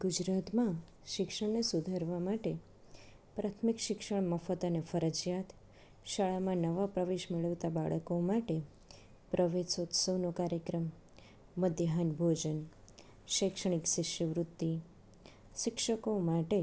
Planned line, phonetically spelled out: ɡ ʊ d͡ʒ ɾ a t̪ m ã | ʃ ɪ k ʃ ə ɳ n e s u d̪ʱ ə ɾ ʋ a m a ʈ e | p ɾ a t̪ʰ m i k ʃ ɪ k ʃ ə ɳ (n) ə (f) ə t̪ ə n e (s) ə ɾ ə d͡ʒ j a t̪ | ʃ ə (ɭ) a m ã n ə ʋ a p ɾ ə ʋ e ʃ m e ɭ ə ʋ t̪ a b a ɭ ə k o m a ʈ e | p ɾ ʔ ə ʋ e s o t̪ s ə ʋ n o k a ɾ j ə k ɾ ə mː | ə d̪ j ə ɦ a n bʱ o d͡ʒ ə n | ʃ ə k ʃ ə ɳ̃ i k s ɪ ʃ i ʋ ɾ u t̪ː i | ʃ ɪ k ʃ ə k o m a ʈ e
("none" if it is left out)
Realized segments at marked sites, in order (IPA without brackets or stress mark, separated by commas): m, f, f, ɭ